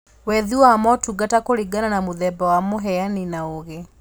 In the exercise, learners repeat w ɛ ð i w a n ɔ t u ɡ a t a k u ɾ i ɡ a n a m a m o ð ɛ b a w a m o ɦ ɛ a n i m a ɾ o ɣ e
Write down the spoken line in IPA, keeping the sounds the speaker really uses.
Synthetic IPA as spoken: w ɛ ð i w a m ɔ t u ɡ a t a k o ɾ i ɡ a n a n a m o ð ɛ b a w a m o ɦ ɛ a n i n a o ɣ e